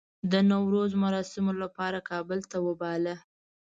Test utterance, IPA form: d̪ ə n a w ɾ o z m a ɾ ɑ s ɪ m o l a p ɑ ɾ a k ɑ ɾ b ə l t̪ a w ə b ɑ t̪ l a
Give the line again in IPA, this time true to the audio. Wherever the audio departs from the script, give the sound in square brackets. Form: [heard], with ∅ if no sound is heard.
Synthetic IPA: d̪ ə n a w ɾ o z m a ɾ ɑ s ɪ m o l a p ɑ ɾ a k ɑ [∅] b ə l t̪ a w ə b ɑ [∅] l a